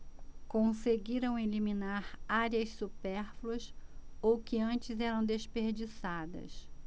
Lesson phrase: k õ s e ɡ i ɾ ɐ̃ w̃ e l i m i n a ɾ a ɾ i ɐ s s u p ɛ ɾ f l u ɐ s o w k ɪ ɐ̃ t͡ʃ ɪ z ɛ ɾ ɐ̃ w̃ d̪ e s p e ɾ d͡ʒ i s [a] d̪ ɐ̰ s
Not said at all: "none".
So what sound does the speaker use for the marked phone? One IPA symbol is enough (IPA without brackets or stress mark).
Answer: a